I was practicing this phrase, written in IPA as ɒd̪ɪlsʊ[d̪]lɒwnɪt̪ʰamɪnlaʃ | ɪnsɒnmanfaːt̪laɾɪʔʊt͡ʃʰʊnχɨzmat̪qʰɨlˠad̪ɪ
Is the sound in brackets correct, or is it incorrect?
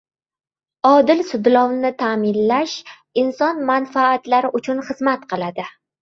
correct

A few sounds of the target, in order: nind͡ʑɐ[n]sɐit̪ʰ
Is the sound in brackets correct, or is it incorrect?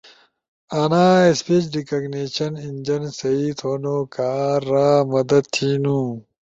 correct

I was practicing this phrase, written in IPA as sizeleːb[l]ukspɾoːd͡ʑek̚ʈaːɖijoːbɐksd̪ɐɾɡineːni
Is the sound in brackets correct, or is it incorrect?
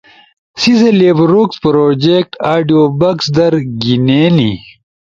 incorrect: ɾ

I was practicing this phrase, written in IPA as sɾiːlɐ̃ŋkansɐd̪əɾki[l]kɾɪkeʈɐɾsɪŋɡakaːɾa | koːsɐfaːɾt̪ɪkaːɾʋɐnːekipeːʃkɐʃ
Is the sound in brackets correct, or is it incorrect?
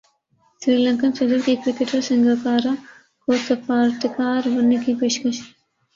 incorrect: none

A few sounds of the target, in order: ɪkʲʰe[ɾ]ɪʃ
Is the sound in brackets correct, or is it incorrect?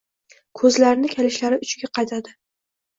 incorrect: l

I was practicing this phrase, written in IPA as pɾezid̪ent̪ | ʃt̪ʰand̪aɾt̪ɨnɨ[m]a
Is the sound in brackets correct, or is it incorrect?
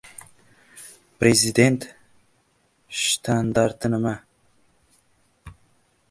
correct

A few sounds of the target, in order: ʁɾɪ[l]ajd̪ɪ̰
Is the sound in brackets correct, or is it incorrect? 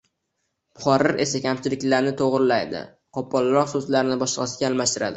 correct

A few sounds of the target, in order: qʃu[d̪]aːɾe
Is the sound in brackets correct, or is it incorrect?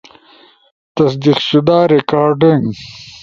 correct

